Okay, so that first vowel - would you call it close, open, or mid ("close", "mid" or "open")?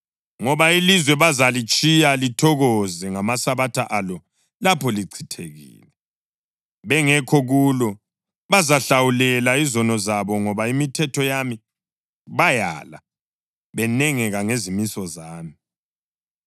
mid